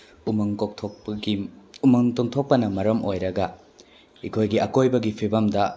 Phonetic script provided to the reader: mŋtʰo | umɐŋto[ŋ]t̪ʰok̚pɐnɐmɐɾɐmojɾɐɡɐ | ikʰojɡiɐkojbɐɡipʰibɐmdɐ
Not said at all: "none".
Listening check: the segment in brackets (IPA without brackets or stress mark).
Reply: ŋ